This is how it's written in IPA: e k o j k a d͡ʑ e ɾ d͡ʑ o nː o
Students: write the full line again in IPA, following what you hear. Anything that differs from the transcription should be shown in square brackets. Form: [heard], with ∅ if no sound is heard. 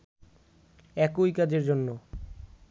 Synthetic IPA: [ɛ] k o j k a d͡ʑ e ɾ d͡ʑ o nː o